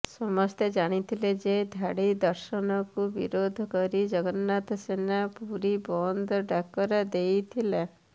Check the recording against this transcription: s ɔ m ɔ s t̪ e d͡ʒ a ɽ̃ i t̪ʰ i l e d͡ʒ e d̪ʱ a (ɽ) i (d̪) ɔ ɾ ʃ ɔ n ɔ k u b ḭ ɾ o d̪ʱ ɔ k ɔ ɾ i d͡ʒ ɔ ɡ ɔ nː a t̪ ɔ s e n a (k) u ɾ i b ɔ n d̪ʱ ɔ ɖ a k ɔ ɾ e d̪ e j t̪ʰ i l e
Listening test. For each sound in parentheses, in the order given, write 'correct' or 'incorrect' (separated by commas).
correct, correct, incorrect